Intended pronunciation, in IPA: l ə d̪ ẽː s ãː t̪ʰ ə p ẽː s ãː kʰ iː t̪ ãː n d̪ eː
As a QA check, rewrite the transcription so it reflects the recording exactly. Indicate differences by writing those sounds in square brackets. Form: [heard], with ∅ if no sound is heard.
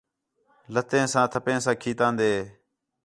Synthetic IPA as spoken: l ə [t̪] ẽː s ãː t̪ʰ ə p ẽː s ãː kʰ iː t̪ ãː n d̪ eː